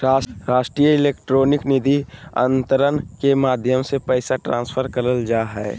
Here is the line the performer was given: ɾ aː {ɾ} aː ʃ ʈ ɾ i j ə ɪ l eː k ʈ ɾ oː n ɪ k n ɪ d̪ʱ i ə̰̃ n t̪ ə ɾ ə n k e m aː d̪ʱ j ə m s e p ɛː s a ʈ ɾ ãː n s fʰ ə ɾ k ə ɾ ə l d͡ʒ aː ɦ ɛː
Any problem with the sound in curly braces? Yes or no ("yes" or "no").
no